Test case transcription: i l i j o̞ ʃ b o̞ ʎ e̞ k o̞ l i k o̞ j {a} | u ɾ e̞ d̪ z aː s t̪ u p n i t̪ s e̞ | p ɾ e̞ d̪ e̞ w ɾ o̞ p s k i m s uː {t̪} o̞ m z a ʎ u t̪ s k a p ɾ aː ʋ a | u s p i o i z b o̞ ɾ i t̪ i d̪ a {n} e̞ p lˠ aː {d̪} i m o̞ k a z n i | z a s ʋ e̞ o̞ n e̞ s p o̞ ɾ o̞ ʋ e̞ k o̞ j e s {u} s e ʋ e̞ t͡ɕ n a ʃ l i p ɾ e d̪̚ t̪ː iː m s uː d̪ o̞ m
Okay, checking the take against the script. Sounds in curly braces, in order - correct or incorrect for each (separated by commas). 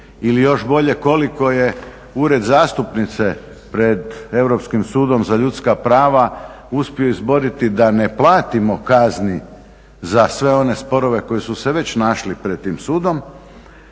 incorrect, incorrect, correct, incorrect, correct